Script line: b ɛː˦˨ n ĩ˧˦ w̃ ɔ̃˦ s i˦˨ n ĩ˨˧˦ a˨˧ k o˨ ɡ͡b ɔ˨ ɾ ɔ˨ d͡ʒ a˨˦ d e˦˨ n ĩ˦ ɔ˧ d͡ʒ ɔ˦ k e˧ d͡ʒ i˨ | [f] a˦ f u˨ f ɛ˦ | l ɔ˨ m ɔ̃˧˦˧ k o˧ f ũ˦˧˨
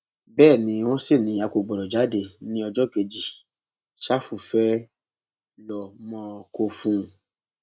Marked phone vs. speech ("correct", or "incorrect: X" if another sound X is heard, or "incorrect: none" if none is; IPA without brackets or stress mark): incorrect: ʃ